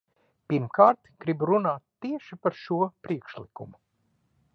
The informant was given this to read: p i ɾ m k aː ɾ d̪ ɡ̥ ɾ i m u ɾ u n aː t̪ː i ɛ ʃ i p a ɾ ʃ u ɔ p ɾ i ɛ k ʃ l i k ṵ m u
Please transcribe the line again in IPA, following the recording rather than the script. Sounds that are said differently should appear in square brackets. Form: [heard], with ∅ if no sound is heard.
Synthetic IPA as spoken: p i ɾ m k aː ɾ [t̪] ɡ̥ ɾ i [b] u ɾ u n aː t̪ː i ɛ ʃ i p a ɾ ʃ u ɔ p ɾ i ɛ k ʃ l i k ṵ m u